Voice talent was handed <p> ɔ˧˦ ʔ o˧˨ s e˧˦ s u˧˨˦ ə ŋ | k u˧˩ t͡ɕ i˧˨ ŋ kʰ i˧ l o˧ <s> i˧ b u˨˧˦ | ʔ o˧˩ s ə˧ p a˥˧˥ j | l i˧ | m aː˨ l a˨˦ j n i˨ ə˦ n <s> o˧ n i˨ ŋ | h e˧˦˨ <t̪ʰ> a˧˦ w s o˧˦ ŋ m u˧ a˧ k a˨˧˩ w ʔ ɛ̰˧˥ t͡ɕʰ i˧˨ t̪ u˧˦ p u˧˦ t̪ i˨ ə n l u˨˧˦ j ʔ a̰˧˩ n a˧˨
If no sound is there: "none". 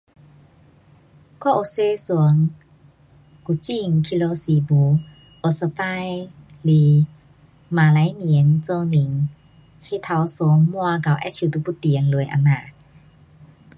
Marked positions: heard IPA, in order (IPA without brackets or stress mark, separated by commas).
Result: k, s, t͡s, t̪ʰ